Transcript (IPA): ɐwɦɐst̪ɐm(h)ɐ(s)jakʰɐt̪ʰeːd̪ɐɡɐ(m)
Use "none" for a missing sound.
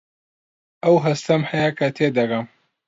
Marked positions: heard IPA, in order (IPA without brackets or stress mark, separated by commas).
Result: h, none, m